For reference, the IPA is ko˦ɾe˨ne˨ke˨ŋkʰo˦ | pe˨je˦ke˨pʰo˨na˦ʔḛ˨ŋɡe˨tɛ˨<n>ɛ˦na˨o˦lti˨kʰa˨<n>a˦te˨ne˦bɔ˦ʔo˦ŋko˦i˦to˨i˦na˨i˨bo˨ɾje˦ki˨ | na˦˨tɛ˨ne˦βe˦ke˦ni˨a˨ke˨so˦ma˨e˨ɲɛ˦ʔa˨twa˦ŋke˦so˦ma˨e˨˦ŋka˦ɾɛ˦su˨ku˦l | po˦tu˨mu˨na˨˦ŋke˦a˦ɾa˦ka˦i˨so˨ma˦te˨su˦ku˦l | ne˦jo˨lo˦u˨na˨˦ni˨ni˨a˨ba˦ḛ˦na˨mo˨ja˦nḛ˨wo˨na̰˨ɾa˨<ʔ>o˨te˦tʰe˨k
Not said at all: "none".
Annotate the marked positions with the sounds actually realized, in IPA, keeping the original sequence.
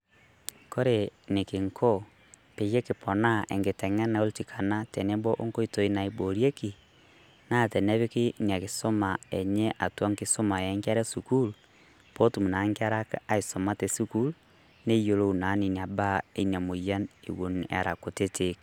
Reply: ŋ, n, k

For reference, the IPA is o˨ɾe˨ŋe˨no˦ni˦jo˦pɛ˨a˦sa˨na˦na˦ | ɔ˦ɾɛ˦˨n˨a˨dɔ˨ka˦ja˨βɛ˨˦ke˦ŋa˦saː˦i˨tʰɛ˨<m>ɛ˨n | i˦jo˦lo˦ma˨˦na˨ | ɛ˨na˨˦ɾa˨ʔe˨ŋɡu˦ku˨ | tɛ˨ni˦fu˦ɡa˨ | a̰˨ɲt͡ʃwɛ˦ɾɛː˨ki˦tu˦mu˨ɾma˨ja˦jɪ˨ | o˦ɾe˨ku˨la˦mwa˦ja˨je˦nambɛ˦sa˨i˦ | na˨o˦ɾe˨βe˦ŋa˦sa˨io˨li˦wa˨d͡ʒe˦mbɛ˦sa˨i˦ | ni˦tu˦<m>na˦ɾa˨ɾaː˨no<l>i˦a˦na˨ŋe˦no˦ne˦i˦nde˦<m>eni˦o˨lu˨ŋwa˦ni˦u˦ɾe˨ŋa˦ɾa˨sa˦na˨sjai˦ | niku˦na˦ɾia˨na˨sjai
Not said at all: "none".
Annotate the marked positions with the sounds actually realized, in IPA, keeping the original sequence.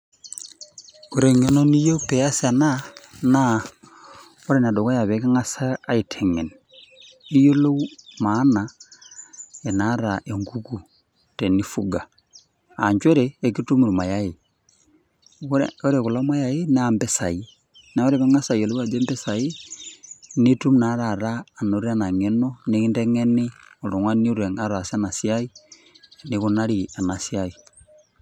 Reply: ŋ, m, ɾ, ŋ

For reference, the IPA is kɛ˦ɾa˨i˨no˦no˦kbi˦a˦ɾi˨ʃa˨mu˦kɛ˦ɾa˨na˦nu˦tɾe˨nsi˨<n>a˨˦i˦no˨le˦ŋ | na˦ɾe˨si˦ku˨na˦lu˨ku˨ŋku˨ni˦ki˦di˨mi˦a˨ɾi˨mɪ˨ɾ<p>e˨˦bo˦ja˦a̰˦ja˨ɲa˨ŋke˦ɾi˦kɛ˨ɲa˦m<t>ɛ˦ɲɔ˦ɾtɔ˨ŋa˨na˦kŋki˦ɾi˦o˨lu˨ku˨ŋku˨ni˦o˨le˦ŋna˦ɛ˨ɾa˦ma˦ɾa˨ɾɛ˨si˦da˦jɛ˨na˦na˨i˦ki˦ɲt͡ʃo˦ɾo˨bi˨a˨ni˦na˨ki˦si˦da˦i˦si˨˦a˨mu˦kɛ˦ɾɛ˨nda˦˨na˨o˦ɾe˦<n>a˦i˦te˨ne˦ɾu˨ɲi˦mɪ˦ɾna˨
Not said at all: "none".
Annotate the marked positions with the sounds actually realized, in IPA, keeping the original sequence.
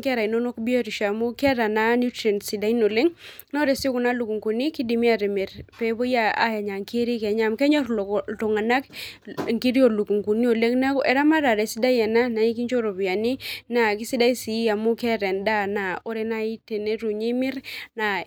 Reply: d, p, k, n

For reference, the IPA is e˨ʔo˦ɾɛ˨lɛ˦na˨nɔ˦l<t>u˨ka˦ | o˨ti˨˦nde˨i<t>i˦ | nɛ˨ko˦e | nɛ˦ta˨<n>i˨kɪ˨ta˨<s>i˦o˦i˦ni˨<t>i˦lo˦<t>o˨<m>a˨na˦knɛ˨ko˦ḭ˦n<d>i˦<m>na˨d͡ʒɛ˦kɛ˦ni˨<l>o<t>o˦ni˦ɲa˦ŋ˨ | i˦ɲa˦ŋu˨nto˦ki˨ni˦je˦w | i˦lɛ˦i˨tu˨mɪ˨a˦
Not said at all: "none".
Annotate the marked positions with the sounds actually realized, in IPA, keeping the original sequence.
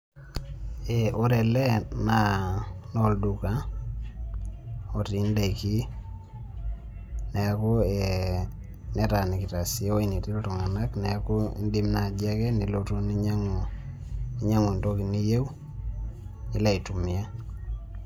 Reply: d, k, n, s, t, t, ŋ, d, m, l, t

